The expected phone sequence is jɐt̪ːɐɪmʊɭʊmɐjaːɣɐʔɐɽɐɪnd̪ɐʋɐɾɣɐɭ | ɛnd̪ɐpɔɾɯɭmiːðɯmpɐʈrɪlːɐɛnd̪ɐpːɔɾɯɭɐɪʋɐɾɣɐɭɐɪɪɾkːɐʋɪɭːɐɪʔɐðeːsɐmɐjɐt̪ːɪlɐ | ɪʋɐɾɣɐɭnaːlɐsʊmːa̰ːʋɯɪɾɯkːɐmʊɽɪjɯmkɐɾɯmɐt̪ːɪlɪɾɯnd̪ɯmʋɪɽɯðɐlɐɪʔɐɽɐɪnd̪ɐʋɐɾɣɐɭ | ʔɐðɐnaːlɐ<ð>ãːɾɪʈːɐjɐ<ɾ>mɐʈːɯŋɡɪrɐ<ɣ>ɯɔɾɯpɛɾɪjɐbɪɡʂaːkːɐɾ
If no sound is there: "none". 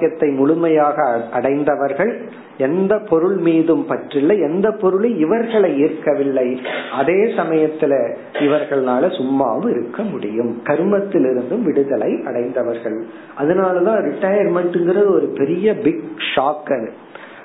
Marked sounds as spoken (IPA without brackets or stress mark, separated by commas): ð, ɾ, ð